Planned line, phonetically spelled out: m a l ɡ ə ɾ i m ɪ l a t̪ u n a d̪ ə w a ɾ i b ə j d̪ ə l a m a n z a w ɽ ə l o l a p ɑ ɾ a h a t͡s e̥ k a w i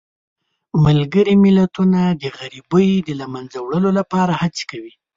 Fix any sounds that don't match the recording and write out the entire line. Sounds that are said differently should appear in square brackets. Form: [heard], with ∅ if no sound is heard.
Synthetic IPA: m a l ɡ ə ɾ i m ɪ l a t̪ u n a d̪ ə [ɣ] a ɾ i b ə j d̪ ə l a m a n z a w ɽ ə l o l a p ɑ ɾ a h a t͡s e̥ k a w i